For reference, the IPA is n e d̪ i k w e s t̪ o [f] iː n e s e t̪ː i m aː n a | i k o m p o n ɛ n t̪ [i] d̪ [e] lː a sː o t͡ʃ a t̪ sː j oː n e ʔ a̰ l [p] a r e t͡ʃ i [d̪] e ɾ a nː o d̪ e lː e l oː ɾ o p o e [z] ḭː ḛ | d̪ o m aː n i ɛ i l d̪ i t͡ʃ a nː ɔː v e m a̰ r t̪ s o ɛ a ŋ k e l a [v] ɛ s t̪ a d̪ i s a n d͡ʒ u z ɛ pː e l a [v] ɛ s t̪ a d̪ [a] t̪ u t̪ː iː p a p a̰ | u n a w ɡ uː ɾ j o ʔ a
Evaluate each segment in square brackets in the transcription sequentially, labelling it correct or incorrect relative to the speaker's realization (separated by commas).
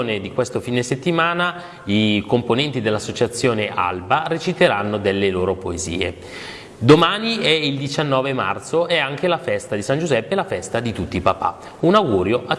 correct, correct, correct, incorrect, incorrect, correct, incorrect, incorrect, incorrect